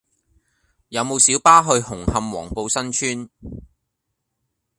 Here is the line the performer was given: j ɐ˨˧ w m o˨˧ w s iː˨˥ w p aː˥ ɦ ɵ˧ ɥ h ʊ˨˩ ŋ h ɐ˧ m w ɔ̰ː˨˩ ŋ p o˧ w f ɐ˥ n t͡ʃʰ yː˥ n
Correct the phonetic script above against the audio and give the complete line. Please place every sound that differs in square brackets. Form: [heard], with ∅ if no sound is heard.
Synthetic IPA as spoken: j ɐ˨˧ w m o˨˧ w s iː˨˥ w p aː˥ ɦ ɵ˧ ɥ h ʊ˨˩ ŋ h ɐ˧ m w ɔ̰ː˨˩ ŋ p o˧ w [s] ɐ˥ n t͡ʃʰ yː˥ n